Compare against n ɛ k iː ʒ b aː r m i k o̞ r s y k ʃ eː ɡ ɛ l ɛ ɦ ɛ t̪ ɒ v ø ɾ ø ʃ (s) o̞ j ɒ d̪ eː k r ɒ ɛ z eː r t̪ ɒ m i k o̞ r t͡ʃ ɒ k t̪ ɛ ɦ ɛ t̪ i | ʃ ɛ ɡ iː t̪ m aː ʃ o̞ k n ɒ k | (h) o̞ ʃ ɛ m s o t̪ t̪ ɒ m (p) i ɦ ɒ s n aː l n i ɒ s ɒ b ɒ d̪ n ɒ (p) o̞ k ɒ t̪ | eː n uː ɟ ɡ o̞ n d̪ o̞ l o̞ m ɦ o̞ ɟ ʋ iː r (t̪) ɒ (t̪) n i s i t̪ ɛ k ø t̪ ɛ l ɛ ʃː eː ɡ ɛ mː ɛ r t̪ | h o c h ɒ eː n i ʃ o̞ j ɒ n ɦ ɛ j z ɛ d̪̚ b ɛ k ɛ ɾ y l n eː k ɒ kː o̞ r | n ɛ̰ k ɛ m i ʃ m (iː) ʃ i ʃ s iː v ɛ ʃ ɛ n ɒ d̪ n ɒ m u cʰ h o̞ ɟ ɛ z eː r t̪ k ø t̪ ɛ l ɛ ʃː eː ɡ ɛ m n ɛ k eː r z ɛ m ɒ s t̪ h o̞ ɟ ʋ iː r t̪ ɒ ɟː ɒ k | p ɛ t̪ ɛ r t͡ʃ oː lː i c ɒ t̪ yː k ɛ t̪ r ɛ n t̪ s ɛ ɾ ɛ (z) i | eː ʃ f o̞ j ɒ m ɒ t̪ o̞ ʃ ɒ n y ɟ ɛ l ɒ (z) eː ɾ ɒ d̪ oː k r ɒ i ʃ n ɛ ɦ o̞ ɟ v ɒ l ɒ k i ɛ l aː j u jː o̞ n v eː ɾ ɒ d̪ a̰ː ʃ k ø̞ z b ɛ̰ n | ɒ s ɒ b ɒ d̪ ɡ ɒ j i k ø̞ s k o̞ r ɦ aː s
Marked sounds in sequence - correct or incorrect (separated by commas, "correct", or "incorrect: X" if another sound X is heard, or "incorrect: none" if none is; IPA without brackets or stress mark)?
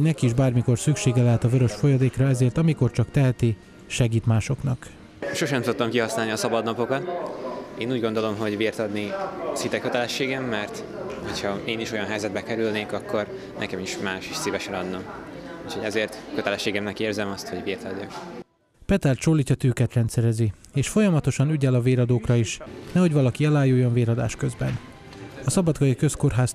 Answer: incorrect: f, incorrect: ʃ, incorrect: k, correct, correct, incorrect: d̪, incorrect: aː, correct, incorrect: v